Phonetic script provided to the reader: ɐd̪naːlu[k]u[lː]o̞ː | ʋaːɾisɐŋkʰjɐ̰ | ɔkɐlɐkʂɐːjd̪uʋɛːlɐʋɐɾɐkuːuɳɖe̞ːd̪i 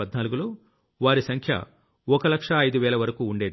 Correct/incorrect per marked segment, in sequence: incorrect: ɡ, incorrect: l

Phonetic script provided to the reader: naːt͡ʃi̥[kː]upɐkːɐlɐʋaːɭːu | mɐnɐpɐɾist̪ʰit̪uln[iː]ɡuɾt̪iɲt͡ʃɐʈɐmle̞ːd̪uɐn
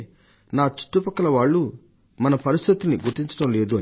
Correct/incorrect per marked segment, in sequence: incorrect: ʈː, incorrect: i

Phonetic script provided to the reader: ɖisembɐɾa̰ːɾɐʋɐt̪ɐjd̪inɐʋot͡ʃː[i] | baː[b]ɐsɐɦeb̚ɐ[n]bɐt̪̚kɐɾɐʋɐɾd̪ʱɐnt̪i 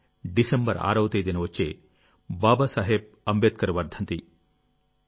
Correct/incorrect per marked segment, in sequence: incorrect: e, correct, incorrect: m

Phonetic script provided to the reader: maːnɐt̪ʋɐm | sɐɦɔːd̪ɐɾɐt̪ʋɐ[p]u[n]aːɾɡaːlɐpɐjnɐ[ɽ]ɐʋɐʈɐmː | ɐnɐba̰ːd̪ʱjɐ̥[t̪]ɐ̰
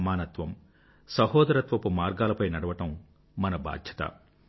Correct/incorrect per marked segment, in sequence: correct, incorrect: m, correct, correct

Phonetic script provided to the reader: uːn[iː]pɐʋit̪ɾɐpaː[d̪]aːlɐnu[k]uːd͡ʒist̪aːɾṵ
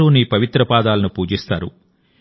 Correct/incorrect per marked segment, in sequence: correct, correct, incorrect: p

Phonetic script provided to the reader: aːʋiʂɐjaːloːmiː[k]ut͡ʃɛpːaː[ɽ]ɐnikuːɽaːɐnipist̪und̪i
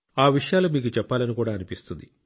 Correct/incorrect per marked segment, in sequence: correct, incorrect: l

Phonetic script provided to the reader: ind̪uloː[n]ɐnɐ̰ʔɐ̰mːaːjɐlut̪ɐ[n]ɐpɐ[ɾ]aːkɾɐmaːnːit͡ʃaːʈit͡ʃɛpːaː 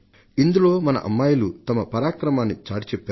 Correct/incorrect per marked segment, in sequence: incorrect: m, incorrect: m, correct

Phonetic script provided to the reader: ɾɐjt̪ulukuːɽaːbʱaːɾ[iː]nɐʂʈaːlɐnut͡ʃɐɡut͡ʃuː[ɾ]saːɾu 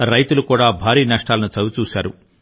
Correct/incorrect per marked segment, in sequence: correct, incorrect: none

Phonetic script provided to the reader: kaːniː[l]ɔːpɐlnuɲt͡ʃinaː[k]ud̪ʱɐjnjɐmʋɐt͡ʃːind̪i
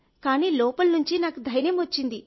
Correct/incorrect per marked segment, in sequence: correct, correct

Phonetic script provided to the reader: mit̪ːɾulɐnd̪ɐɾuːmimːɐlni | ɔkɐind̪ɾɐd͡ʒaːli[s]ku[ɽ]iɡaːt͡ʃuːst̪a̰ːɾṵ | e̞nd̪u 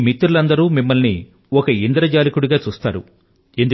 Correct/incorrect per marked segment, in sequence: incorrect: none, correct

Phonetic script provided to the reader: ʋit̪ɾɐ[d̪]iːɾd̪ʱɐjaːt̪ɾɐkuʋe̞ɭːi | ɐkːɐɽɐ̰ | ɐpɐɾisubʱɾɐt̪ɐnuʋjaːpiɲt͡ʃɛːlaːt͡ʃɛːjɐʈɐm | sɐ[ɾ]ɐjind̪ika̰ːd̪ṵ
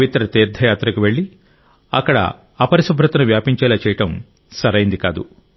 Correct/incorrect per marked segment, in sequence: incorrect: t̪, correct

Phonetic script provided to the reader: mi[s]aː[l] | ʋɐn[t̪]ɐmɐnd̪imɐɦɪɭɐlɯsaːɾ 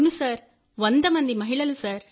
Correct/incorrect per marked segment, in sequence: correct, incorrect: ɾ, incorrect: d̪

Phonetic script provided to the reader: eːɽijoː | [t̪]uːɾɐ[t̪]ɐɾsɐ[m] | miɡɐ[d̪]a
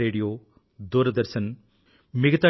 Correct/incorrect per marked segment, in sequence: incorrect: d̪, incorrect: d̪, incorrect: n, incorrect: t̪

